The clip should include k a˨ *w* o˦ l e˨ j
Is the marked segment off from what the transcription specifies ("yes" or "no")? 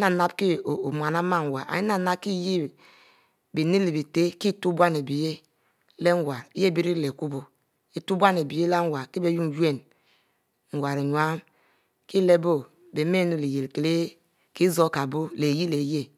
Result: yes